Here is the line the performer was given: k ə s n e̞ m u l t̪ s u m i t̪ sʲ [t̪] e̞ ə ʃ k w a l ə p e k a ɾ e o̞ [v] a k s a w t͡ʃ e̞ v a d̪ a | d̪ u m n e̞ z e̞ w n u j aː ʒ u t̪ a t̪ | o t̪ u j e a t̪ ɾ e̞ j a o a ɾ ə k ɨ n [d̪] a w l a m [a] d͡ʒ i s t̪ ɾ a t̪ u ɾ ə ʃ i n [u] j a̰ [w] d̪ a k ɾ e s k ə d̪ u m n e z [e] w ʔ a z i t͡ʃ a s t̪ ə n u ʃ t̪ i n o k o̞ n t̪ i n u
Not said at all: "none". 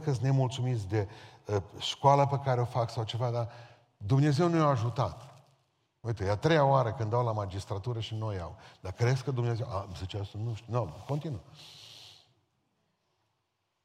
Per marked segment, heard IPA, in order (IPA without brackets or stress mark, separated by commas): d̪, f, d̪, a, o, w, e